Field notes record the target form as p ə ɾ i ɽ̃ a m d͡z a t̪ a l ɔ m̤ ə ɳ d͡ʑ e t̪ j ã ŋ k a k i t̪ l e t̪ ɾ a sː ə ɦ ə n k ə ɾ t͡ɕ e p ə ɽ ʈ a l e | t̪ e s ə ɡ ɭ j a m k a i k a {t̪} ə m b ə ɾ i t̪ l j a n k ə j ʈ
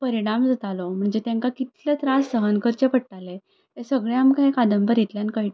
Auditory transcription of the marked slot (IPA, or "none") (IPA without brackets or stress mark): d̪